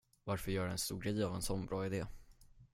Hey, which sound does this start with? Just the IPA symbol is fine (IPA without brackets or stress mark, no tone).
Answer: v